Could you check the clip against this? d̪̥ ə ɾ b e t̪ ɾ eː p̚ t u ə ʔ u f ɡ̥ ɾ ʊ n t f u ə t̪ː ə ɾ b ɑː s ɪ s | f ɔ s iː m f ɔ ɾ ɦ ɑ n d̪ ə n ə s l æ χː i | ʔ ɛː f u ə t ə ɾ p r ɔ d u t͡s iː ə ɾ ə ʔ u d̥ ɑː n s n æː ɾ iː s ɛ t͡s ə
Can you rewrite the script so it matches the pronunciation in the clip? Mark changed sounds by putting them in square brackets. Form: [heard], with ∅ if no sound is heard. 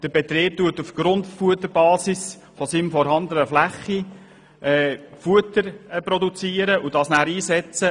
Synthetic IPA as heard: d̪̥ ə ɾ b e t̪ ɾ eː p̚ t u ə [t] u f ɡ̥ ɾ ʊ n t f u ə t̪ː ə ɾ b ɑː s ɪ s | f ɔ s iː m f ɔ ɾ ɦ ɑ n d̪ ə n ə [f] l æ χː i | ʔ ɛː f u ə t ə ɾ p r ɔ d u t͡s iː ə ɾ ə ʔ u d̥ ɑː [∅] s n æː ɾ iː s ɛ t͡s ə

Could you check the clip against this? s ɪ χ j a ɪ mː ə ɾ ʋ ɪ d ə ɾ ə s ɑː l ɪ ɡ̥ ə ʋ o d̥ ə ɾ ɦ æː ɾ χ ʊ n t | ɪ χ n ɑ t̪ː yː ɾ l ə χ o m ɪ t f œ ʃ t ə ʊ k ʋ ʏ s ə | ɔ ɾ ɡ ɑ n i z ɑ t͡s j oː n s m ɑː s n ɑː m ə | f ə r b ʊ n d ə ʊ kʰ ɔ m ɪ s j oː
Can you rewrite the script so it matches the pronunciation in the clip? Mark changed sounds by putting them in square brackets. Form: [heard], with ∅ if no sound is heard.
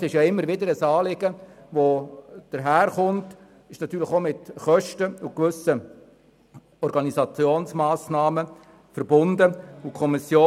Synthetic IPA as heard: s ɪ [ʃ] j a ɪ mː ə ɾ ʋ ɪ d ə ɾ ə s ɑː l ɪ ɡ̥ ə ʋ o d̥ ə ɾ ɦ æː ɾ χ ʊ n t | ɪ [ʃ] n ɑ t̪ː yː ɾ l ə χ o m ɪ t [χ] œ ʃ t ə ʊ k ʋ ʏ s ə | ɔ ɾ ɡ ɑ n i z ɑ t͡s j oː n s m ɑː s n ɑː m ə | f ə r b ʊ n d ə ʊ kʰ ɔ m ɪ s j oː

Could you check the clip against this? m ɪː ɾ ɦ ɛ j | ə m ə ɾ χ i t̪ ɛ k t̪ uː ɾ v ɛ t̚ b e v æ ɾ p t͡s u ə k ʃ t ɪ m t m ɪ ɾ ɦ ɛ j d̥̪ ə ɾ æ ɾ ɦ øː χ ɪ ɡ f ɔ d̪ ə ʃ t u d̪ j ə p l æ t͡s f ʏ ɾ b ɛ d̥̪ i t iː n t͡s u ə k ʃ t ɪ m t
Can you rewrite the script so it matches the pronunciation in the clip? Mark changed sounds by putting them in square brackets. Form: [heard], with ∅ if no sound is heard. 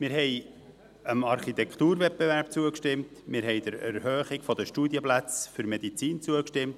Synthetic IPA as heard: m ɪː ɾ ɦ ɛ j | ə m [ɑ] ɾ χ i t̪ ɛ k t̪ uː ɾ v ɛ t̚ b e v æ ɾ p t͡s u ə k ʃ t ɪ m t m ɪ ɾ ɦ ɛ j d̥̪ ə ɾ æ ɾ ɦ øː χ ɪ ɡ f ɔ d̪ ə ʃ t u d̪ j ə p l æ t͡s f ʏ ɾ [m] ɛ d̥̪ i [t͡s] iː n t͡s u ə k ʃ t ɪ m t

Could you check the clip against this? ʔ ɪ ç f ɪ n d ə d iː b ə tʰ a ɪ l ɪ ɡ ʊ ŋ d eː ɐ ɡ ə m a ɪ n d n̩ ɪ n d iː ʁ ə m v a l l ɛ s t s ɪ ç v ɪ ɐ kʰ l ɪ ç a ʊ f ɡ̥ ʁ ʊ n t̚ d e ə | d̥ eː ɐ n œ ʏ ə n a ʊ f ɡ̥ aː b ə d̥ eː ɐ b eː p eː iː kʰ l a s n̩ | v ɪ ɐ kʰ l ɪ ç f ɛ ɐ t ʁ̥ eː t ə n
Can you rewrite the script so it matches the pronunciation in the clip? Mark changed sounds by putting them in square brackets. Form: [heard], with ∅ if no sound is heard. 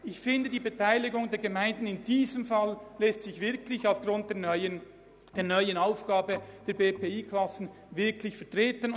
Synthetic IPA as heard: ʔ ɪ ç f ɪ n d ə d iː b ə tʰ a ɪ l ɪ ɡ ʊ ŋ d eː ɐ ɡ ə m a ɪ n d n̩ ɪ n d iː [z] ə m [f] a l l ɛ s t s ɪ ç v ɪ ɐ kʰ l ɪ ç a ʊ f ɡ̥ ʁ ʊ n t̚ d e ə | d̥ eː ɐ n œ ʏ ə n a ʊ f ɡ̥ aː b ə d̥ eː ɐ b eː p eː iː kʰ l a s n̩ | v ɪ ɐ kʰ l ɪ ç f ɛ ɐ t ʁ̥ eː t ə n

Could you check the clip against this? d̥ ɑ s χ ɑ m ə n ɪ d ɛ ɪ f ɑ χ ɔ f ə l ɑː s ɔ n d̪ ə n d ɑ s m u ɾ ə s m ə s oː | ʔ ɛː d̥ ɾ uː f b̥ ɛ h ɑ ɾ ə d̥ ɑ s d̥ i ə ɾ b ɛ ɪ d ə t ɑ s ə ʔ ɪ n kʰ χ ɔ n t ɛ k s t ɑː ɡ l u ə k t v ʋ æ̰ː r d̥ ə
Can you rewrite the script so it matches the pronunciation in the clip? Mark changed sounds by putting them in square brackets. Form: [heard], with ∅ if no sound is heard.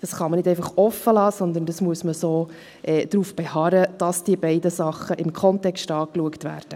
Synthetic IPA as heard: d̥ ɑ s χ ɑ m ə n ɪ d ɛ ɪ f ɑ χ ɔ f ə l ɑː s ɔ n d̪ ə n d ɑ s m u [∅] ə s m ə s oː | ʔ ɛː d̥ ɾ uː f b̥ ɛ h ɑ ɾ ə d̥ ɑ s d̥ i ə [∅] b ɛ ɪ d ə [s] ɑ [χ] ə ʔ ɪ [m] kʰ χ ɔ n t ɛ k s t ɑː [k] l u ə k t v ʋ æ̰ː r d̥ ə

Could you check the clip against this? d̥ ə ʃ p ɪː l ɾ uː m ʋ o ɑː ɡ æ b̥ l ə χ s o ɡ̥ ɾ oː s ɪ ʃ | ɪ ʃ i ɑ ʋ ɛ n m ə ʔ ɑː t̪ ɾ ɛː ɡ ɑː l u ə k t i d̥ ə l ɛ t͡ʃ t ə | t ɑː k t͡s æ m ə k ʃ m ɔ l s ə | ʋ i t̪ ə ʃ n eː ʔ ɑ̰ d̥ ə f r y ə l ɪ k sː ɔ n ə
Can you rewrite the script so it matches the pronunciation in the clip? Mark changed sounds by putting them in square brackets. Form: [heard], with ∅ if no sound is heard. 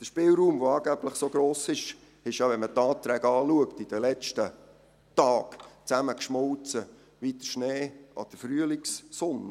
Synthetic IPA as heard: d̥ ə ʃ p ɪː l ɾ uː m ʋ o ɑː ɡ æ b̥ l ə χ s o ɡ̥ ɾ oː s ɪ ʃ | ɪ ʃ [j] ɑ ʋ ɛ n m ə [t] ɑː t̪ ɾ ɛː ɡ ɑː l u ə k t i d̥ ə l ɛ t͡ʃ t ə | t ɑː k t͡s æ m ə k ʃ m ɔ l [t͡s] ə | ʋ i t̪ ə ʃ n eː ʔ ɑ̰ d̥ ə f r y ə l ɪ k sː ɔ n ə

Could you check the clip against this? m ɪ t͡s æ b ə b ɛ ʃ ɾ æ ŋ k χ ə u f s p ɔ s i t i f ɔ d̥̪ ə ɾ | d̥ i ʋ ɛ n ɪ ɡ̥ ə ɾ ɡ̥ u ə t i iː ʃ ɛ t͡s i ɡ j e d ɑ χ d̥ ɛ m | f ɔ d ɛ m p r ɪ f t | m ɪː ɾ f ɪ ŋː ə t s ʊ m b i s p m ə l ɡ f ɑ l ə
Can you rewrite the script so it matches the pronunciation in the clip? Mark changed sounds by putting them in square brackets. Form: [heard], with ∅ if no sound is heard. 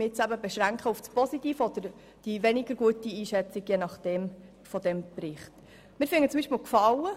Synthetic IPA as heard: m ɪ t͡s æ b ə b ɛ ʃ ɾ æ ŋ k χ ə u f s p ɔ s i t [iː] f ɔ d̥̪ ə ɾ | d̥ i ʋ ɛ n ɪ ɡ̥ ə ɾ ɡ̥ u ə t i iː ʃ ɛ t͡s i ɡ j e [n] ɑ χ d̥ ɛ m | f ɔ d ɛ m p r ɪ [χ] t | m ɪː ɾ f ɪ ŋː ə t [t͡s] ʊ m b i [ʃ] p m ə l [k] f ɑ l ə

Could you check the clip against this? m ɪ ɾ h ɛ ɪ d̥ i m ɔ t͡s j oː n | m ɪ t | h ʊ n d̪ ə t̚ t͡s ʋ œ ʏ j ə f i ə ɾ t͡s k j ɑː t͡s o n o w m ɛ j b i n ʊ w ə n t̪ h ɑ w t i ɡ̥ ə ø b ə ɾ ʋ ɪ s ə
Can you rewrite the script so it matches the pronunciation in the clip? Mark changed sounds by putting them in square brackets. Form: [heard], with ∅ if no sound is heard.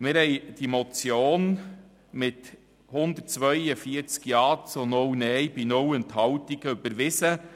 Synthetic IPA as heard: m ɪ ɾ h ɛ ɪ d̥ i m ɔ t͡s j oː n | m ɪ t | h ʊ n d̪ ə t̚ t͡s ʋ œ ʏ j ə f i ə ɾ t͡s k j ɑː t͡s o n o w [n] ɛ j b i n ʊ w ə n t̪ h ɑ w t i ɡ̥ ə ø b ə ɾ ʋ ɪ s ə

